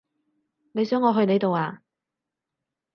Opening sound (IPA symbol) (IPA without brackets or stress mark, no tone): n